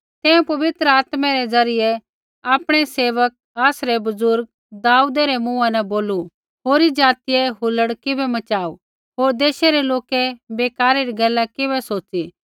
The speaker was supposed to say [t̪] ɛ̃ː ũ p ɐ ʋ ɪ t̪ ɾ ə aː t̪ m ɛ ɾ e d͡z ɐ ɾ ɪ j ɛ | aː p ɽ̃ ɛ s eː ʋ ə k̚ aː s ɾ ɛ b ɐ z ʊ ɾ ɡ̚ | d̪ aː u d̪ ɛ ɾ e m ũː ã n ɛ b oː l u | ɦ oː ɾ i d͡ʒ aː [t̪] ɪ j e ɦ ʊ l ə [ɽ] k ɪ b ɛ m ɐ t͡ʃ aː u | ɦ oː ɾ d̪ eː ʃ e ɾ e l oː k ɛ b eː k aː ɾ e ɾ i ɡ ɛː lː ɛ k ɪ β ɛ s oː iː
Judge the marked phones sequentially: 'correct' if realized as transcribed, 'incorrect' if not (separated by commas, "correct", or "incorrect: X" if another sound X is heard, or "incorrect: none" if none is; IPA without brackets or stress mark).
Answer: correct, correct, correct